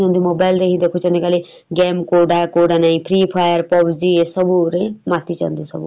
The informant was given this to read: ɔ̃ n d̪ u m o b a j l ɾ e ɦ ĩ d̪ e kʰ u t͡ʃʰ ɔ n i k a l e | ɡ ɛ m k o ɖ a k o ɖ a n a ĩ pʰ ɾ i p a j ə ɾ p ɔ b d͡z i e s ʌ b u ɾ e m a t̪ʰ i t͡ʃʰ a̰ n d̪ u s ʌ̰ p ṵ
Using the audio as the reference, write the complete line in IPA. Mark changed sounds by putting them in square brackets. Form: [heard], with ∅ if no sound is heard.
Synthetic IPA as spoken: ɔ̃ n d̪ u m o b a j l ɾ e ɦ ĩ d̪ e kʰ u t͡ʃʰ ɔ n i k a l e | ɡ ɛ m k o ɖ a k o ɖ a n a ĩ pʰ ɾ i [pʰ] a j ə ɾ p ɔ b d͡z i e s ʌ b u ɾ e m a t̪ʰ i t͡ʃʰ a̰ n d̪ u s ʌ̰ [b] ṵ

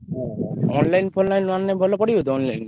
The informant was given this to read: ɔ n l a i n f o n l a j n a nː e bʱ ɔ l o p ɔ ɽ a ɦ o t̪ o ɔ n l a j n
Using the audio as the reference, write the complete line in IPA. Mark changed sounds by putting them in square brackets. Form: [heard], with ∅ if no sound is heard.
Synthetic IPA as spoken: ɔ n l a [j] n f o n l a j n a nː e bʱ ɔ l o p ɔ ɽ [i] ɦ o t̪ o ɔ n l a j n

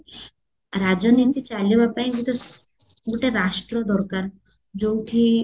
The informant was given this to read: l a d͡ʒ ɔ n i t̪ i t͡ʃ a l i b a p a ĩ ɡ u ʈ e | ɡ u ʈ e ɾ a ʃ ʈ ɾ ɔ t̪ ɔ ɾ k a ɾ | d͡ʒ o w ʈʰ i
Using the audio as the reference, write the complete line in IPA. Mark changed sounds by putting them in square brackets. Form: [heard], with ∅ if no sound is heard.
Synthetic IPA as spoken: [ɾ] a d͡ʒ ɔ n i t̪ i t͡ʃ a l i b a p a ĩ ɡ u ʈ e | ɡ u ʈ e ɾ a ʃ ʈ ɾ ɔ [d̪] ɔ ɾ k a ɾ | d͡ʒ o w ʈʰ i

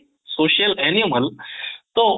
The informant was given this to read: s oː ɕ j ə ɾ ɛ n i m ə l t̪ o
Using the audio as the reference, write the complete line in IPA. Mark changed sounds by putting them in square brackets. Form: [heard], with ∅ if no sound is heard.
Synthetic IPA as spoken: s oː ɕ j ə [l] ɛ n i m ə l t̪ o

